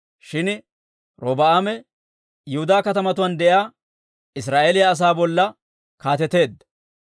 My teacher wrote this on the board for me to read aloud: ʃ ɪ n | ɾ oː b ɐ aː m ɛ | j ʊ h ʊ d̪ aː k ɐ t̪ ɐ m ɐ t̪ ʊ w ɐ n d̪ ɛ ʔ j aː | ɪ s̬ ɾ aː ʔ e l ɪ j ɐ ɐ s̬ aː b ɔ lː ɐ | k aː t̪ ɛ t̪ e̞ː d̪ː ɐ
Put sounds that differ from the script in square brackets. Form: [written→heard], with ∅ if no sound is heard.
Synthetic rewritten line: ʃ ɪ n | ɾ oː b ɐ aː m ɛ | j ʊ h ʊ d̪ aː k ɐ t̪ ɐ m ɐ t̪ ʊ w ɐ n d̪ ɛ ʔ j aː | ɪ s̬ ɾ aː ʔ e l ɪ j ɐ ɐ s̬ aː b ɔ lː ɐ | k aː t̪ ɛ t̪ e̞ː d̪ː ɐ

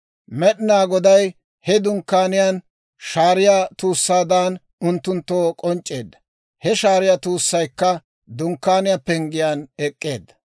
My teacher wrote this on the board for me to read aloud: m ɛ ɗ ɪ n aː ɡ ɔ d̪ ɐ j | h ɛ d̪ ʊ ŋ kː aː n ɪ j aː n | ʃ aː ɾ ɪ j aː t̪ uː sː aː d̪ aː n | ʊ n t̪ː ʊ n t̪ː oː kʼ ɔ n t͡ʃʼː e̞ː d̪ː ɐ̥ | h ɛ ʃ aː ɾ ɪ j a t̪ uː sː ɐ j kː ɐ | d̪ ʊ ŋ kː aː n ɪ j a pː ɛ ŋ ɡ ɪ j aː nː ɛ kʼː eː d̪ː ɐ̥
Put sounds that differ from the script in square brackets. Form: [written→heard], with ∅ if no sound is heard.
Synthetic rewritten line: m ɛ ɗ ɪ n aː ɡ ɔ d̪ ɐ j | h ɛ d̪ ʊ ŋ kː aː n ɪ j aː n | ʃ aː ɾ ɪ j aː t̪ uː sː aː d̪ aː n | ʊ n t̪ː ʊ n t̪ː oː kʼ ɔ n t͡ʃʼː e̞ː d̪ː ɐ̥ | h ɛ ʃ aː ɾ ɪ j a t̪ uː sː ɐ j kː ɐ | d̪ ʊ ŋ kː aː n ɪ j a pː ɛ ŋ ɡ ɪ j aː [nː→n] ɛ kʼː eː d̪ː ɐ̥

